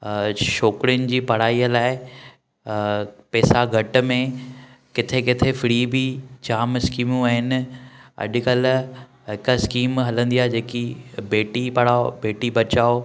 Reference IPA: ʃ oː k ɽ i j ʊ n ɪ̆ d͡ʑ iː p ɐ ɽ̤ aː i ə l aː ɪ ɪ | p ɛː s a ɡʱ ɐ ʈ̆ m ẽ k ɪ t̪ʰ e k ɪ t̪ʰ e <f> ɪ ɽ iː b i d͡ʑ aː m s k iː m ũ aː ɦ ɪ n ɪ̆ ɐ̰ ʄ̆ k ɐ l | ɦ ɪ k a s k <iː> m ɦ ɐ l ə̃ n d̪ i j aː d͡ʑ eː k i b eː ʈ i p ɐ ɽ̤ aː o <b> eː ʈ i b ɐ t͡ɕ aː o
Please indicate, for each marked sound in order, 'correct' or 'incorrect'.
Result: correct, correct, correct

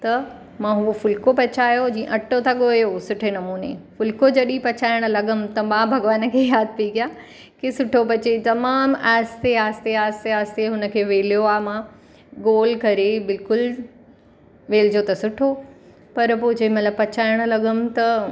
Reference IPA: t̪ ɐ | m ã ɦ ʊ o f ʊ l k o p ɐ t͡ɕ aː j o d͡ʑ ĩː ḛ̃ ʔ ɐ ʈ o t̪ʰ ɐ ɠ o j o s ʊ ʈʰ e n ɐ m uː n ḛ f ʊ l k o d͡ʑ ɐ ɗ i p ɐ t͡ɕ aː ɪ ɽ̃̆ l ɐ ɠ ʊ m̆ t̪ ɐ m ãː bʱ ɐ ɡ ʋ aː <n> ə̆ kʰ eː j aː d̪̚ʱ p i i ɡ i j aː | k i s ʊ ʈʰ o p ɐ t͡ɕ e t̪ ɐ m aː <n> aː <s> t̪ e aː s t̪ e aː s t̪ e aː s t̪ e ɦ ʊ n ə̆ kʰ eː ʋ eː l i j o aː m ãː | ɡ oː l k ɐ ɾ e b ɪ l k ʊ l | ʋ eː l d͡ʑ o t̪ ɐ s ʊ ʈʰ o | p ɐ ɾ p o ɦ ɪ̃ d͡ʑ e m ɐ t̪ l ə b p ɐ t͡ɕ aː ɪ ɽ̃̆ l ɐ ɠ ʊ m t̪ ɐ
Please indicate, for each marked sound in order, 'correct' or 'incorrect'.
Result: correct, incorrect, correct

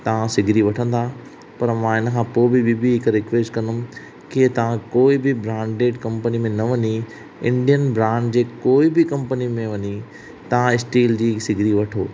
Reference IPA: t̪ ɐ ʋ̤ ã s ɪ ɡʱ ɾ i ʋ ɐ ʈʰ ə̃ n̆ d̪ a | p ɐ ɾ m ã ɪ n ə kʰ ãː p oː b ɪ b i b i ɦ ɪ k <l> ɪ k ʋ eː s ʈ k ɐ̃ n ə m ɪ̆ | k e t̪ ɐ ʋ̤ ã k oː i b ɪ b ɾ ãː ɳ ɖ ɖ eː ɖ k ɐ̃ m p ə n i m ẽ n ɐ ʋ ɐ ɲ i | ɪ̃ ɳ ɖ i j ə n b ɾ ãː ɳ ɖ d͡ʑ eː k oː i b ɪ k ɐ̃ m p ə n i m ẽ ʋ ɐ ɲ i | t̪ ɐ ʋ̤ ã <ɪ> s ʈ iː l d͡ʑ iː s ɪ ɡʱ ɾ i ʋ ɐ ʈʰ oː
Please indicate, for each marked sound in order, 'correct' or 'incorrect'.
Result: incorrect, correct

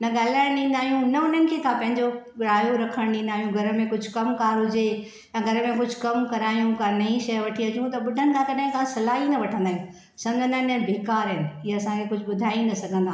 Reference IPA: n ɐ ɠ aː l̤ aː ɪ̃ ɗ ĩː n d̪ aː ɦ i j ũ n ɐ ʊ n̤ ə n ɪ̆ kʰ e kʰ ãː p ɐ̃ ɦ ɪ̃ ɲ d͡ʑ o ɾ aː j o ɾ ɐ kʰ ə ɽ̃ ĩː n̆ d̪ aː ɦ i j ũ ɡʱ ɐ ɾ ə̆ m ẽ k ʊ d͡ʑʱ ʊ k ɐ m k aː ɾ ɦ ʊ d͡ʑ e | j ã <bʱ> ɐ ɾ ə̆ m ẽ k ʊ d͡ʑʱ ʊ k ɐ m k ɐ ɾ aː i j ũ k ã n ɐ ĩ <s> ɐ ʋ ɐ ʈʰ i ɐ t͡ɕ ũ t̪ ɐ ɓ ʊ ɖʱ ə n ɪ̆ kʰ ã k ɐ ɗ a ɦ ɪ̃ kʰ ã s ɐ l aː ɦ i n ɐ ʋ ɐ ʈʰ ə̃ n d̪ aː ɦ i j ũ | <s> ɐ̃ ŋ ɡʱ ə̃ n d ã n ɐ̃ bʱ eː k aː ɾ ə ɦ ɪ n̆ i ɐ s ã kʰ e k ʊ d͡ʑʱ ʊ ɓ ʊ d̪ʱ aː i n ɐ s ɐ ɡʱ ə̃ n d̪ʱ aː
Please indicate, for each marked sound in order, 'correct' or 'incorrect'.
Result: incorrect, incorrect, correct

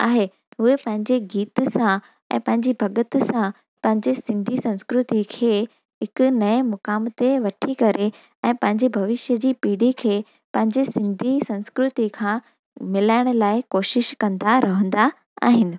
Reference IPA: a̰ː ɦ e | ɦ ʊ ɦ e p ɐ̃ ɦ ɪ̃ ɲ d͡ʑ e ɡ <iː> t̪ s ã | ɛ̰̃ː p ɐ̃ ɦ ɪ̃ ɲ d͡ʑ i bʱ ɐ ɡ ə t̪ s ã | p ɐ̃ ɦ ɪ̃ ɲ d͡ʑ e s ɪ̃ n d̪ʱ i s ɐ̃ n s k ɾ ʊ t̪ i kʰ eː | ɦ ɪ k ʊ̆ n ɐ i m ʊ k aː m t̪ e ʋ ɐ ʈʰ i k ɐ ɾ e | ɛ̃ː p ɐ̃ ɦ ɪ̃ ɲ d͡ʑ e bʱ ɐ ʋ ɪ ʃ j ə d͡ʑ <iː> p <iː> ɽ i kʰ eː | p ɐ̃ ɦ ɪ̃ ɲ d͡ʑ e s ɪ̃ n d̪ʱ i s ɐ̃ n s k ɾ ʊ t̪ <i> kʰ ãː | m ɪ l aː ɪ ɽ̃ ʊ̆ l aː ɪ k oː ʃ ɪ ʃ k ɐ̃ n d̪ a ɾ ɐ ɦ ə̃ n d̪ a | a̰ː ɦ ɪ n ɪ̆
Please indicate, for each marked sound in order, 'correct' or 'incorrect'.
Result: correct, correct, correct, correct

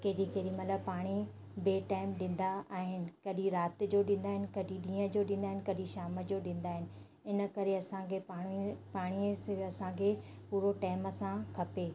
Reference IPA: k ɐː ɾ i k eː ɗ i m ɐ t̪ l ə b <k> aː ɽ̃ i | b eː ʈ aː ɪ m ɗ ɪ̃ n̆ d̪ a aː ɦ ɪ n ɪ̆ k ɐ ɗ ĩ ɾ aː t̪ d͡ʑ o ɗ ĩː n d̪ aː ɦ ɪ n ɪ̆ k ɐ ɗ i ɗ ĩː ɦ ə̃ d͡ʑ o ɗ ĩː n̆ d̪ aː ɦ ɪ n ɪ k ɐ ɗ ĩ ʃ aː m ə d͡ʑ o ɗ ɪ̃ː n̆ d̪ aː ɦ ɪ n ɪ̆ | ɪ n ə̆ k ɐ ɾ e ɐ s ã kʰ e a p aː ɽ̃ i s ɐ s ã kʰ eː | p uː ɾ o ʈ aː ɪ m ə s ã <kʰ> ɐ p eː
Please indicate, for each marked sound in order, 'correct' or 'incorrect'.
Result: incorrect, correct

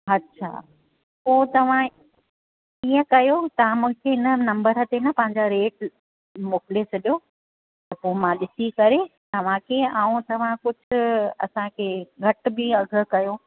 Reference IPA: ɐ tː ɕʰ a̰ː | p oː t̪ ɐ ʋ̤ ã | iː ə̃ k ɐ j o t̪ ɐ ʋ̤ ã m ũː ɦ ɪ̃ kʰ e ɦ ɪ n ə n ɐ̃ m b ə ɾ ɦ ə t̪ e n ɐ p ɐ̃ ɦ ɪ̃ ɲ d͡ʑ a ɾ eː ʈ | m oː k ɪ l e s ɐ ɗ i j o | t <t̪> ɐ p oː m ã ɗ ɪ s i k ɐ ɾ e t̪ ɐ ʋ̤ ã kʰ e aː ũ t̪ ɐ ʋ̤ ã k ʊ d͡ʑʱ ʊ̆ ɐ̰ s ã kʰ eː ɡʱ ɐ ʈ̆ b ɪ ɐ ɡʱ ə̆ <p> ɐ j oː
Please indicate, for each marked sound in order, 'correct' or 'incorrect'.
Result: correct, incorrect

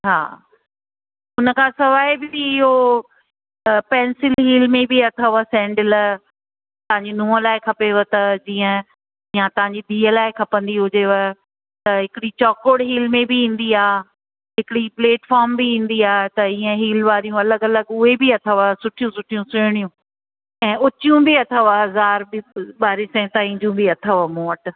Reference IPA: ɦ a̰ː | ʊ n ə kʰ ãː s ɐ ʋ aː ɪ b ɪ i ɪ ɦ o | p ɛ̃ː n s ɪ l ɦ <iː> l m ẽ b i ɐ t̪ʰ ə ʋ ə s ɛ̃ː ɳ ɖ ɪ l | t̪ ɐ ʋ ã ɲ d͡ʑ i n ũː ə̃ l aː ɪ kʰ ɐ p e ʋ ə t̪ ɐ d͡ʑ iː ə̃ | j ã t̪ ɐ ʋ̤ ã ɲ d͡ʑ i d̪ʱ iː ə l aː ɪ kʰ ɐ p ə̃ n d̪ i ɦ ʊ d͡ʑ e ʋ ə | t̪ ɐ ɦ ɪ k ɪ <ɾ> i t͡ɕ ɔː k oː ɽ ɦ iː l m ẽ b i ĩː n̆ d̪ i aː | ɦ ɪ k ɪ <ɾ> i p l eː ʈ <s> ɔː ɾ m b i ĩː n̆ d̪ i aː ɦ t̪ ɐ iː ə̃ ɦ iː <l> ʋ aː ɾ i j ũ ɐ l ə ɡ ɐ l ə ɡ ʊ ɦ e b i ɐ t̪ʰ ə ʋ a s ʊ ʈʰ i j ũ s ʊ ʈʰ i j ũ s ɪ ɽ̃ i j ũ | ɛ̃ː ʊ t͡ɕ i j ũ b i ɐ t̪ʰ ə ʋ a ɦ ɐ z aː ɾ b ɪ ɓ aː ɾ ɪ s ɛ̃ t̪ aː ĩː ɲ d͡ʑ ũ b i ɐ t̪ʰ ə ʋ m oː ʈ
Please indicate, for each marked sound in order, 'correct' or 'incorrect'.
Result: correct, incorrect, incorrect, incorrect, correct

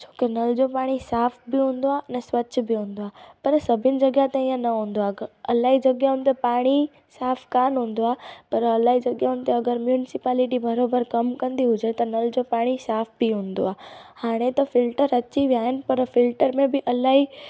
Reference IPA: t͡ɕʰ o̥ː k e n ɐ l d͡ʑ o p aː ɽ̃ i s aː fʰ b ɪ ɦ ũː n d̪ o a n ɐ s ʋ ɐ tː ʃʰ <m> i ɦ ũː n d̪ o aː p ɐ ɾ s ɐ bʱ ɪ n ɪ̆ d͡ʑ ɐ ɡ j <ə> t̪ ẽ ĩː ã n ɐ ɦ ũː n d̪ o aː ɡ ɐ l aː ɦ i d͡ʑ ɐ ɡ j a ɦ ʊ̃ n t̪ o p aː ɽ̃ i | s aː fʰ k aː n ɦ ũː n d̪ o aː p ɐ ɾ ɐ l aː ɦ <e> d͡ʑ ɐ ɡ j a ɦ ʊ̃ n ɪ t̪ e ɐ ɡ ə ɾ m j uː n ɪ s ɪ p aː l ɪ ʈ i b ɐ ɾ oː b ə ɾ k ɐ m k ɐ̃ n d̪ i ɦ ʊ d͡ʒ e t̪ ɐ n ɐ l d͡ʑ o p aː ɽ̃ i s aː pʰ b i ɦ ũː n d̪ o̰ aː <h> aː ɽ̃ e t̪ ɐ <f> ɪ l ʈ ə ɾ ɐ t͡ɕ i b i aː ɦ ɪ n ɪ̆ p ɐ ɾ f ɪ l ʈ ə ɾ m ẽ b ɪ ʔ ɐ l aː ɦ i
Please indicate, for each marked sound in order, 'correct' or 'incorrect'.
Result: incorrect, incorrect, incorrect, correct, correct

